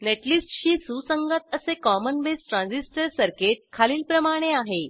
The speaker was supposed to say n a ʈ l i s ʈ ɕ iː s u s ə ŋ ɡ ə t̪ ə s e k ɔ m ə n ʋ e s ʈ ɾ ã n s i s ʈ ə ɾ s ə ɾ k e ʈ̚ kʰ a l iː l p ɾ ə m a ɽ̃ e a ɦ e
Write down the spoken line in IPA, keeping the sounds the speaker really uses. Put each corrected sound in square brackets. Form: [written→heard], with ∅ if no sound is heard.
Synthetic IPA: n [a→e] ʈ l i s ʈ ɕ iː s u s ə ŋ ɡ ə t̪ ə s e k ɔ m ə n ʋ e s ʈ ɾ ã n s i s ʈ ə ɾ s ə ɾ k e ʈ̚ kʰ a l iː l p ɾ ə m a ɽ̃ e a ɦ e